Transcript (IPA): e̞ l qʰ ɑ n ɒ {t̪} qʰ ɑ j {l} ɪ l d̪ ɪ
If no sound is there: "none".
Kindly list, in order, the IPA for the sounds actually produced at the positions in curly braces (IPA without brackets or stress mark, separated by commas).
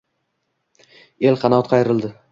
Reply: t̪, ɾ